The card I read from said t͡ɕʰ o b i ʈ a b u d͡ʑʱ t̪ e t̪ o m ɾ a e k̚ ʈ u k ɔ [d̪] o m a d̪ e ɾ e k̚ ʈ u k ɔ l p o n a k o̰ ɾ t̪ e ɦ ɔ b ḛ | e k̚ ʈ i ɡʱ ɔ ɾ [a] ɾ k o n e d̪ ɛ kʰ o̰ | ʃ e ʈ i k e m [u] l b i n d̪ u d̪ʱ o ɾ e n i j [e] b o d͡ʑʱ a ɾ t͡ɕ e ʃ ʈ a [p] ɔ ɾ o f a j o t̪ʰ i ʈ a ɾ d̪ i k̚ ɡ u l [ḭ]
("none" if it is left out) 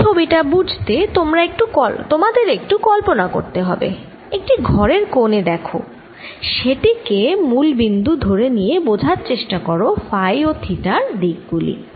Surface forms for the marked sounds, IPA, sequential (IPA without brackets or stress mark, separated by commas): t̪, e, u, e, k, ḭ